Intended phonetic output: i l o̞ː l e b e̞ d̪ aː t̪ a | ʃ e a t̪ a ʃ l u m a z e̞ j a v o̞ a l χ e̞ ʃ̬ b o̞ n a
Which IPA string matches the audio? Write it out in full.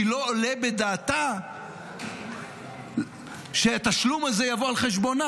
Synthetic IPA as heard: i l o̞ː l e b e̞ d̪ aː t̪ a | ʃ e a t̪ a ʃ l u m a z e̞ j a v o̞ a l χ e̞ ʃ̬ b o̞ n a